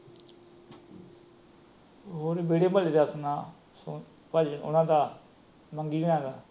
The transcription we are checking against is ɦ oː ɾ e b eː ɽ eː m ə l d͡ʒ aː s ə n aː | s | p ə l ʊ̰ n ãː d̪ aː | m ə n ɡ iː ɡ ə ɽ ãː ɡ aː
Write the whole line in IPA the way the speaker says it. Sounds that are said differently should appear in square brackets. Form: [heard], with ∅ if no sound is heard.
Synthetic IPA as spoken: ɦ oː ɾ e b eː ɽ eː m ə l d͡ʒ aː s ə n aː | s | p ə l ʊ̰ n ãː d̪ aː | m ə [ŋ] ɡ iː ɡ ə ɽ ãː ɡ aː